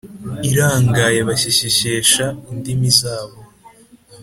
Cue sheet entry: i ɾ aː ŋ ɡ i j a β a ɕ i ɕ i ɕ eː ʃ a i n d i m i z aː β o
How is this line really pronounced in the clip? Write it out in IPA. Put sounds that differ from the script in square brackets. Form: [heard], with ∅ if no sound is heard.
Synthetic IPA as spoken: i ɾ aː ŋ ɡ [a] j [e] β a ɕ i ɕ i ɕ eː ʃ a i n d i m i z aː β o